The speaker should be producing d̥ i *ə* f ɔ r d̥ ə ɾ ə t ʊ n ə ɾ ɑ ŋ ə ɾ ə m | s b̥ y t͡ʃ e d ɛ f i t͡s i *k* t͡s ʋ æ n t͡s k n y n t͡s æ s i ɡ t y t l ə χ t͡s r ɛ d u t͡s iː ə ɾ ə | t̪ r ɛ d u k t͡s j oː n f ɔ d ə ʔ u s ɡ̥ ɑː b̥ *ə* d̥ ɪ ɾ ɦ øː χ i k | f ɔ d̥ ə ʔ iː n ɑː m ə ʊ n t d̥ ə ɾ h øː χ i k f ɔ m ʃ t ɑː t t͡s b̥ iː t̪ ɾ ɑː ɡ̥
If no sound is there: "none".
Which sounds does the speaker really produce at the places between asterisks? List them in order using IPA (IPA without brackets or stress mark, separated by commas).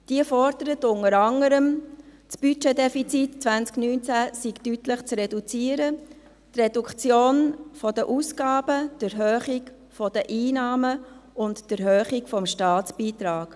ə, t, ə